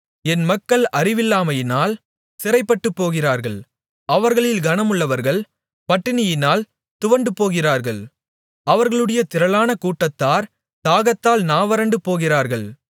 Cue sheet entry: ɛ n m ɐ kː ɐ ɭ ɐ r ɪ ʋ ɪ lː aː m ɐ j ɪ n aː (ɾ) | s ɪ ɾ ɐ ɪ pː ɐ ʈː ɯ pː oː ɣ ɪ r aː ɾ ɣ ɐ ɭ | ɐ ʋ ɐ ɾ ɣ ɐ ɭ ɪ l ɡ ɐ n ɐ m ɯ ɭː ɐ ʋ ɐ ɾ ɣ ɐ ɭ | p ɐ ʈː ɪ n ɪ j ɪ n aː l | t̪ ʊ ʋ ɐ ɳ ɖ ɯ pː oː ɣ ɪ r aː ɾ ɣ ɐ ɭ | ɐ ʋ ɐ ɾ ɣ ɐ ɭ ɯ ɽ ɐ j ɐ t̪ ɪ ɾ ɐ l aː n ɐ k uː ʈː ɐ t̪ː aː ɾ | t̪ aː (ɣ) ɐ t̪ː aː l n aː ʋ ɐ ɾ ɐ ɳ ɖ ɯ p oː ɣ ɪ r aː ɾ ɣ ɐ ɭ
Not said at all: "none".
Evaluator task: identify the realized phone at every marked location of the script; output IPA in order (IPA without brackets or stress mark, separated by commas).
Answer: l, ɣ